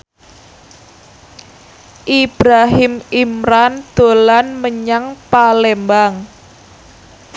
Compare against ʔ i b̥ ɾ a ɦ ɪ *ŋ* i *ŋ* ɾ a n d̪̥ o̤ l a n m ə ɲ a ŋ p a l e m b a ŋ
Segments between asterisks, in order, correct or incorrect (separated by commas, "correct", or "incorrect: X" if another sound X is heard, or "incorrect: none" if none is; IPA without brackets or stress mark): incorrect: m, incorrect: m